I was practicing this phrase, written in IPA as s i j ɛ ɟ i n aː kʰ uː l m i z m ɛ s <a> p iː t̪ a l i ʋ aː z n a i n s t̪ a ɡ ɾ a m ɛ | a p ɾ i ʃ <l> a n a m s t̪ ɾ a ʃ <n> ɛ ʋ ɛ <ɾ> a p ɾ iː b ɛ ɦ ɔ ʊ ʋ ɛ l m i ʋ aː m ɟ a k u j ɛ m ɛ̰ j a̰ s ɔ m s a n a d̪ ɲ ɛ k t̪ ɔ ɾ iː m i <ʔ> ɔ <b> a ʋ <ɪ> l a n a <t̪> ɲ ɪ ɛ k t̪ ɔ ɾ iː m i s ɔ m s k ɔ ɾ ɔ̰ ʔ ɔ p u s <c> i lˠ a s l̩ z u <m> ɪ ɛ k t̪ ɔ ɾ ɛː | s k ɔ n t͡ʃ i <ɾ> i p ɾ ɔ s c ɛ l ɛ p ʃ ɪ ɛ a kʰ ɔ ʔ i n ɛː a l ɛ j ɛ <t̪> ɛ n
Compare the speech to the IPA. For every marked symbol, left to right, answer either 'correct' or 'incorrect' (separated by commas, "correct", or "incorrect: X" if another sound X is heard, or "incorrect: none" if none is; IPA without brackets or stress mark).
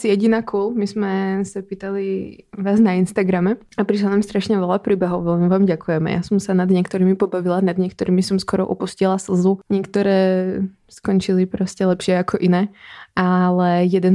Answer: correct, correct, incorrect: ɲ, incorrect: l, incorrect: p, correct, incorrect: i, incorrect: d̪, correct, incorrect: ɲ, incorrect: l, incorrect: d̪